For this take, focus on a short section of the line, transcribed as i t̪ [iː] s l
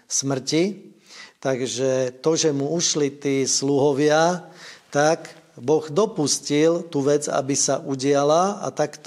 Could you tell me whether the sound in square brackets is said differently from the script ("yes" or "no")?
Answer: no